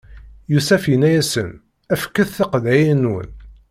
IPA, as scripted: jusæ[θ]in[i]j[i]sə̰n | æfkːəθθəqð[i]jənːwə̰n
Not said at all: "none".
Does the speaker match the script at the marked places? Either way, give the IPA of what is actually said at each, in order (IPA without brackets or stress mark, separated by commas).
f, æ, æ, æ